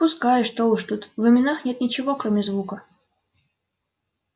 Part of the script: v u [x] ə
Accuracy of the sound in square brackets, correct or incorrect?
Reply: incorrect